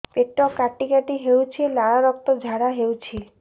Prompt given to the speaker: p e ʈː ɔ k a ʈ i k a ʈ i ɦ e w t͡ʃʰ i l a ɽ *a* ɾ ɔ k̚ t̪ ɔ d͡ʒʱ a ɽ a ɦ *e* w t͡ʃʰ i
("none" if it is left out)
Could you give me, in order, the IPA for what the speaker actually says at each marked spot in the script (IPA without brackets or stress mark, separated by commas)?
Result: a, e